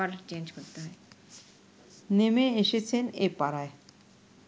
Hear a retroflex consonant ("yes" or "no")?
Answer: no